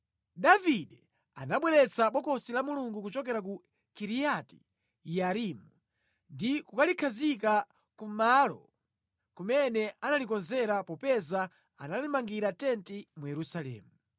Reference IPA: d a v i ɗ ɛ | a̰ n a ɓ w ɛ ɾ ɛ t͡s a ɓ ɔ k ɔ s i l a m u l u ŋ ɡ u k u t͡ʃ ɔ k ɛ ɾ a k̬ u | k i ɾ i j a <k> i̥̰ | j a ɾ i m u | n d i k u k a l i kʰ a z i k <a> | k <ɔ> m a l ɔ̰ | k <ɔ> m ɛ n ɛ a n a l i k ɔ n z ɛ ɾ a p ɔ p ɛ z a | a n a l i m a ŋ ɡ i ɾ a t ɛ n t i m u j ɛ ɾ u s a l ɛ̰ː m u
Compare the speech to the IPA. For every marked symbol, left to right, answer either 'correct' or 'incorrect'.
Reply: incorrect, correct, incorrect, incorrect

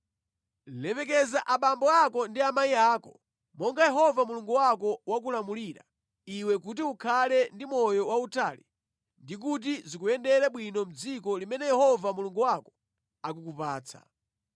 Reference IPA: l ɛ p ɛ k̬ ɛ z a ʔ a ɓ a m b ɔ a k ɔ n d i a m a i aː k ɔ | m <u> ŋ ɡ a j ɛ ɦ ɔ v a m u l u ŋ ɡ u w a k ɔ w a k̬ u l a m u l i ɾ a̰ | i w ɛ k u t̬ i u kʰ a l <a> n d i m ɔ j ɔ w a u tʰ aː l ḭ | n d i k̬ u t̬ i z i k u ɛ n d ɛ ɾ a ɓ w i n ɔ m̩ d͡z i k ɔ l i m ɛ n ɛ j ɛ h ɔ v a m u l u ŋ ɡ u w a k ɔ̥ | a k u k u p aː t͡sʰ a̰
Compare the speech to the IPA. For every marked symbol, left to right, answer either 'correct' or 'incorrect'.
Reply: incorrect, incorrect

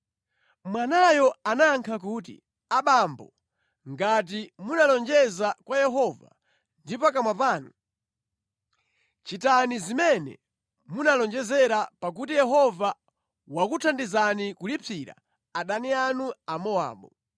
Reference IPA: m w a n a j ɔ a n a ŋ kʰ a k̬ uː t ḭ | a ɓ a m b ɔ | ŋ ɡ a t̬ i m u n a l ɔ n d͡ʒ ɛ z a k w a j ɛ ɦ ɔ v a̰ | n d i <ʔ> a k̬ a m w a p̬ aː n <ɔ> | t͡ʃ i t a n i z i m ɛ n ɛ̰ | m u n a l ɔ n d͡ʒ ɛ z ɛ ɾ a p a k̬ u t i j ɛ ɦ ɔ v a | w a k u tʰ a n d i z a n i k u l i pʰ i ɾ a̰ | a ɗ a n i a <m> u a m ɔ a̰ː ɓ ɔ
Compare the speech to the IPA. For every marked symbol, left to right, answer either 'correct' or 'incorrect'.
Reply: incorrect, incorrect, incorrect

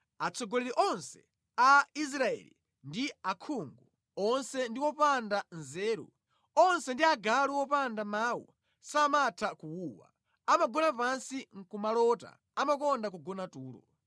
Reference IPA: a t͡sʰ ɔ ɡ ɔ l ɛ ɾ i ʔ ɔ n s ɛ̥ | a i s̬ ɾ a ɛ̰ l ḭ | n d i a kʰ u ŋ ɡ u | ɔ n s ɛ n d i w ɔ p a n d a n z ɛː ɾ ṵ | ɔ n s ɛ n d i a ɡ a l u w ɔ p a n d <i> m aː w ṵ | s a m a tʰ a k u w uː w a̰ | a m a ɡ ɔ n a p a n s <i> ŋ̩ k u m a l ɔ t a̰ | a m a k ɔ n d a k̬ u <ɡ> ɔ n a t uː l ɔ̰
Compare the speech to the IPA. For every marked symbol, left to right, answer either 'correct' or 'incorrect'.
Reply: incorrect, correct, correct

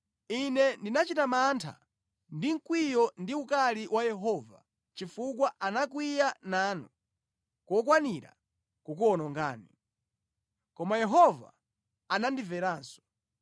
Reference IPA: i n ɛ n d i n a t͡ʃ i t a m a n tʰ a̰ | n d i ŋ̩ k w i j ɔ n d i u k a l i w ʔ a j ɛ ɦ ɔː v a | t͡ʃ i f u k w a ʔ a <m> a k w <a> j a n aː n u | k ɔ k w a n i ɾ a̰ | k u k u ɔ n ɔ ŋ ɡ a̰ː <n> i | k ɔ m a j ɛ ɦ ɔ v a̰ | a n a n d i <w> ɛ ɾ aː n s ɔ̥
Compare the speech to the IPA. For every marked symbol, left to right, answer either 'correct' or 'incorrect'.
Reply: incorrect, incorrect, correct, incorrect

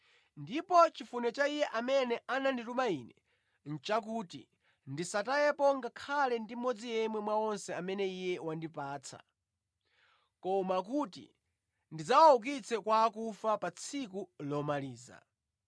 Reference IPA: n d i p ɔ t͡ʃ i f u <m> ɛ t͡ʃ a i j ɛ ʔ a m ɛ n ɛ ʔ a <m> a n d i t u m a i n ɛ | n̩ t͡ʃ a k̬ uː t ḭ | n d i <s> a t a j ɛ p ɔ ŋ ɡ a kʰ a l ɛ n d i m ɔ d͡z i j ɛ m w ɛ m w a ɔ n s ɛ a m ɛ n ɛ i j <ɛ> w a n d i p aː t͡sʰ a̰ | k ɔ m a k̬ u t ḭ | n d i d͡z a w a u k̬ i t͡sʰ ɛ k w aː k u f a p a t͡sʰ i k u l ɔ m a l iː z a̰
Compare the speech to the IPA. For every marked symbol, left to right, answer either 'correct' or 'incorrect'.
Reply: incorrect, incorrect, correct, correct

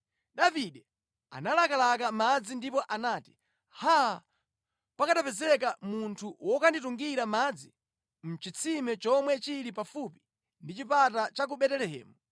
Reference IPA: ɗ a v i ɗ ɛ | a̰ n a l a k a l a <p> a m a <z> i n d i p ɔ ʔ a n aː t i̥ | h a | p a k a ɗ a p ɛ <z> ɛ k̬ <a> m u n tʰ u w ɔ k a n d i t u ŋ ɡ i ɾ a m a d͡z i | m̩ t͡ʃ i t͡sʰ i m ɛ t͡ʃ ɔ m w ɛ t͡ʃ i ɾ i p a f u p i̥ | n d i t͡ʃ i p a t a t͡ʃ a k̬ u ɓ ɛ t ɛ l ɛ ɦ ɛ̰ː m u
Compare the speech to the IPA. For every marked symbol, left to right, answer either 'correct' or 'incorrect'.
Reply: incorrect, incorrect, correct, correct

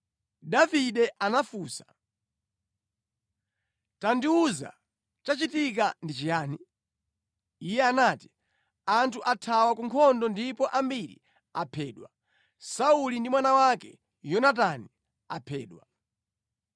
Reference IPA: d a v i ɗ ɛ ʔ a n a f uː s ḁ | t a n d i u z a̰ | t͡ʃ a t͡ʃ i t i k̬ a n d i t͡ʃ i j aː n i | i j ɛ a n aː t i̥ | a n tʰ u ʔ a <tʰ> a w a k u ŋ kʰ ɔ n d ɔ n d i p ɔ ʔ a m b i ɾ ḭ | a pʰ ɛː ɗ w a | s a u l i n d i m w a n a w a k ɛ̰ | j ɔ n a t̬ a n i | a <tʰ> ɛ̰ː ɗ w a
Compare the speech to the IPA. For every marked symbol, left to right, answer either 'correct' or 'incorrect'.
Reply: correct, incorrect

